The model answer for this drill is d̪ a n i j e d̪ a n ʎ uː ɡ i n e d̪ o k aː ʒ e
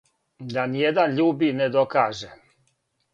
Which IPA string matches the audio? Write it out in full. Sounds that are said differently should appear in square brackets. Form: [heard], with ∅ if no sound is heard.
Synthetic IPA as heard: d̪ a n i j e d̪ a n ʎ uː [b] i n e d̪ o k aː ʒ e